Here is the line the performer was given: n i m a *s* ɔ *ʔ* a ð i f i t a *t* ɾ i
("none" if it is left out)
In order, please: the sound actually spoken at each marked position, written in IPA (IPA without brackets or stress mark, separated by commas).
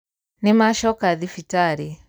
ʃ, k, none